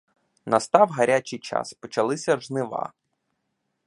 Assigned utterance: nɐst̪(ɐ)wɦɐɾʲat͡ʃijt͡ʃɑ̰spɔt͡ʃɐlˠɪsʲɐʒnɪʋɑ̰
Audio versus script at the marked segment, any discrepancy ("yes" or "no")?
yes